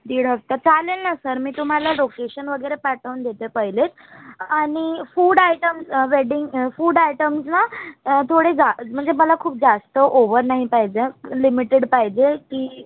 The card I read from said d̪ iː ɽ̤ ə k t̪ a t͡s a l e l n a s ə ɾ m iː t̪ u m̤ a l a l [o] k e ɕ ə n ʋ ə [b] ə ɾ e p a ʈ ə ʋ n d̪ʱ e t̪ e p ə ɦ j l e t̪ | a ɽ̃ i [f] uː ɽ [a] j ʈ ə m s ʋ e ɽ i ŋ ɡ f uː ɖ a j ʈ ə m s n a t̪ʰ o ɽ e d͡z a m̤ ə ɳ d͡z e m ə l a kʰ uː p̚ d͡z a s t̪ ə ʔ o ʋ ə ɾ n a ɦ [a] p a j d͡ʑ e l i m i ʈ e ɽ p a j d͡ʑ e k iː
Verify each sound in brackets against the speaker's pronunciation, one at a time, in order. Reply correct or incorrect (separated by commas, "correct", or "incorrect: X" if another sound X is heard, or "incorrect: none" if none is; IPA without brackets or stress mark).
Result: correct, incorrect: ɡ, correct, correct, incorrect: i